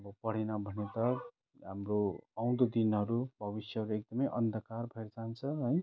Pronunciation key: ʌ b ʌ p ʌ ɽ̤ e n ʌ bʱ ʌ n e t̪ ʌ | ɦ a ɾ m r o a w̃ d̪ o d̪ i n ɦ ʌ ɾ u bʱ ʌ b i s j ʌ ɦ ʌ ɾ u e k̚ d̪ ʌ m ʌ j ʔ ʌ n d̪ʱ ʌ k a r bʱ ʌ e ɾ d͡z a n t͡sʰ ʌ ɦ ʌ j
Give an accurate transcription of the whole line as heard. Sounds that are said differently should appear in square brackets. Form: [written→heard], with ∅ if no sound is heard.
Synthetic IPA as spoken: ʌ b ʌ p ʌ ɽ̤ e n ʌ bʱ ʌ n e t̪ ʌ | ɦ a [ɾ→∅] m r o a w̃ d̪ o d̪ i n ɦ ʌ ɾ u bʱ ʌ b i s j ʌ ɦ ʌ ɾ u e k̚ d̪ ʌ m ʌ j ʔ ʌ n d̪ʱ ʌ k a r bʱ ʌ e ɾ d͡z a n t͡sʰ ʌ ɦ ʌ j